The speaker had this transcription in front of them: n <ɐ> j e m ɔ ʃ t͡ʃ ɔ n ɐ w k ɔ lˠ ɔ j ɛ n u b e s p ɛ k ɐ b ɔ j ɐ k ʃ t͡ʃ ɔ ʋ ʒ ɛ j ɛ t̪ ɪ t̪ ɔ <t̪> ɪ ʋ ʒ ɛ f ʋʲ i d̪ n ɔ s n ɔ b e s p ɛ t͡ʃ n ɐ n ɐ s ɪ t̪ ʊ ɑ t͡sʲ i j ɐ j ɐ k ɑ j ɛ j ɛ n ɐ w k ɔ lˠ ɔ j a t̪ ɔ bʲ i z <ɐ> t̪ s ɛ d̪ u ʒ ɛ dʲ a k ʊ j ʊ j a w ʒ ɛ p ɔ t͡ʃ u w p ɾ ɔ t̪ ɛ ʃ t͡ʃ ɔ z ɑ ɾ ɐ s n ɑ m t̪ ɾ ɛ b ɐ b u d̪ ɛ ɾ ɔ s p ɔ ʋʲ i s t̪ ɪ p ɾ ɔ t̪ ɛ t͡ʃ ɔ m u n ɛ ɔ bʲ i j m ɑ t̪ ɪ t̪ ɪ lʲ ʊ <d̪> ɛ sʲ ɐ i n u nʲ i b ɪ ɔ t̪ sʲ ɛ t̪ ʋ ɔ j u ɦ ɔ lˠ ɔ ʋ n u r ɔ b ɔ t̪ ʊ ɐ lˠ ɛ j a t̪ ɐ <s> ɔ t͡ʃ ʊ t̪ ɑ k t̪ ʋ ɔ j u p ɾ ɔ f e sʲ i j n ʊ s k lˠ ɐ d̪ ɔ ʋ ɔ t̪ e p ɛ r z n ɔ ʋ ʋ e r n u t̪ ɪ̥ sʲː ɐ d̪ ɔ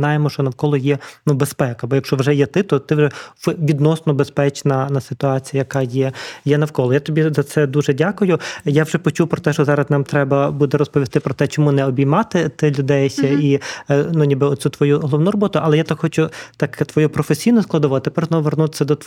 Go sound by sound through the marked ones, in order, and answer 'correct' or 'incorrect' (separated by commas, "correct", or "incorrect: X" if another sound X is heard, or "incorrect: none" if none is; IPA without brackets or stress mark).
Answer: incorrect: ɑ, correct, correct, correct, incorrect: x